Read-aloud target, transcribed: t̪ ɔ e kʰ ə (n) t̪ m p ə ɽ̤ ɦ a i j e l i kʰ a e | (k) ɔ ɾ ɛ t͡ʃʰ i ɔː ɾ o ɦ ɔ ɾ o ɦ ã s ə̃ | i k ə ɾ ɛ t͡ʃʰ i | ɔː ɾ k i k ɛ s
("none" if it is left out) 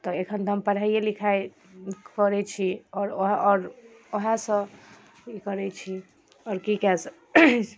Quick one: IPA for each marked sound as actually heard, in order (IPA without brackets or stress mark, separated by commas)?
n, k